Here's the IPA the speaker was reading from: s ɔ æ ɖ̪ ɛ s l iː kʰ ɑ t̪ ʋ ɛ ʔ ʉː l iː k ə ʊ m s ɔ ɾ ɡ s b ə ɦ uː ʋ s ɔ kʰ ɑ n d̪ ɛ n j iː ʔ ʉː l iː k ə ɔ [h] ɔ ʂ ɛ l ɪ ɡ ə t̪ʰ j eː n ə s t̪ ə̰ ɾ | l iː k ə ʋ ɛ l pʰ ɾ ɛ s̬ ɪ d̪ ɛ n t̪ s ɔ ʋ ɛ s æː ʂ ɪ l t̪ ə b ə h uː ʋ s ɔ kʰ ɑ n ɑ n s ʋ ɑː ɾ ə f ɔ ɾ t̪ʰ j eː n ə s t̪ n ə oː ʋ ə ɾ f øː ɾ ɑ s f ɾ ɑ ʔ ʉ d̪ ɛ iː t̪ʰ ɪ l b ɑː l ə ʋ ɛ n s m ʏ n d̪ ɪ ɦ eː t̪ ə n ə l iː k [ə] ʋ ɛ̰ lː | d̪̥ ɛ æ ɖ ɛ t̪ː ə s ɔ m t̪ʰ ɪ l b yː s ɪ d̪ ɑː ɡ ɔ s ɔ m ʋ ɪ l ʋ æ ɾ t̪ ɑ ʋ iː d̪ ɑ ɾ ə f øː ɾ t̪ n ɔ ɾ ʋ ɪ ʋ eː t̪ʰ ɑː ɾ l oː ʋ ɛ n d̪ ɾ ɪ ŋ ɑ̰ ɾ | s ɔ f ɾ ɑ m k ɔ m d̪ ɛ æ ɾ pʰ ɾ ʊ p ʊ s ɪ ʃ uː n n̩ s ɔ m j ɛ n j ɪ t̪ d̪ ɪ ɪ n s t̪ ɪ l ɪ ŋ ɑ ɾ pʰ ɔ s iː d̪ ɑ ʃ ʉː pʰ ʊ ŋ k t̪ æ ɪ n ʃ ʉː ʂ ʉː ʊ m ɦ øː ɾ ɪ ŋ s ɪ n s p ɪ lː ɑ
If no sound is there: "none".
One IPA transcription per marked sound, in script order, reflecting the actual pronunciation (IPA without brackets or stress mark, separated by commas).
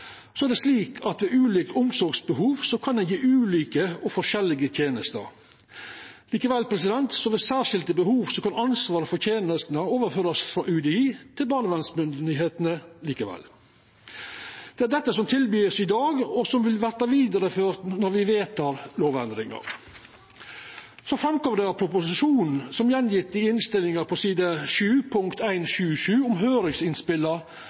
f, ə